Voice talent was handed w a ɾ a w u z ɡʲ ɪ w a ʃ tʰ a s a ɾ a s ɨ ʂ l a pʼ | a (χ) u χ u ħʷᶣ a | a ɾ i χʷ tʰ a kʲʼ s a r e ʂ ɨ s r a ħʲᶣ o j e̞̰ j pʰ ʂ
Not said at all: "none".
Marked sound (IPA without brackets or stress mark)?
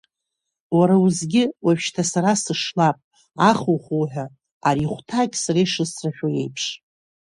χ